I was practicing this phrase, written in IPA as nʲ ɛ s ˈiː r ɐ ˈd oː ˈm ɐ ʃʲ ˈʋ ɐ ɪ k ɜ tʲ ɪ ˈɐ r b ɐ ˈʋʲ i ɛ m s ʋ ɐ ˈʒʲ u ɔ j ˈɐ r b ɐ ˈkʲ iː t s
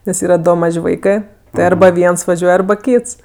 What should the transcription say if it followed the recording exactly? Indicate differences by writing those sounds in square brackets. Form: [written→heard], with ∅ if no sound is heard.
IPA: nʲ ɛ s ˈiː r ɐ ˈd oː ˈm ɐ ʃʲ ˈʋ ɐ ɪ k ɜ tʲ ɪ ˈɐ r b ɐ ˈʋʲ i ɛ [m→n] s ʋ ɐ ˈʒʲ u ɔ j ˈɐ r b ɐ ˈkʲ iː t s